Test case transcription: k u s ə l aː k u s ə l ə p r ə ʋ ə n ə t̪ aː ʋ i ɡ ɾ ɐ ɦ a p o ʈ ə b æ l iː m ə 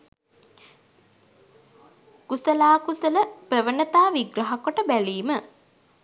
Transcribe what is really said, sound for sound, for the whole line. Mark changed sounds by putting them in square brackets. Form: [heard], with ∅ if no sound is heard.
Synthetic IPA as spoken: k u s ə l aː k u s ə l ə p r ə ʋ ə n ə t̪ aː ʋ i ɡ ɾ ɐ ɦ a [k] o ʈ ə b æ l iː m ə